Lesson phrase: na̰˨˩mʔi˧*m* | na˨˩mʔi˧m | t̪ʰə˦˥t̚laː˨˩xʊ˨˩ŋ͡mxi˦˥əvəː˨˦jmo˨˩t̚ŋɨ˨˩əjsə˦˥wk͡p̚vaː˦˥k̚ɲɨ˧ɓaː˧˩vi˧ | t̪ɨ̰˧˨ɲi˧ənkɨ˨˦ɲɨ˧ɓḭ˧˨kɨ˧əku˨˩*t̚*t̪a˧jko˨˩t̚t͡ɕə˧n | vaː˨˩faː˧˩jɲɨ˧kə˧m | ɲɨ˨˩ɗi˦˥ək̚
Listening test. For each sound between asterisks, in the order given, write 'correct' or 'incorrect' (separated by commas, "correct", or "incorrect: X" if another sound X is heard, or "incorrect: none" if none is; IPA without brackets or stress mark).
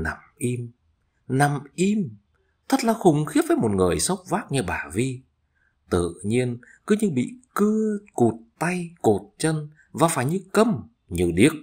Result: correct, correct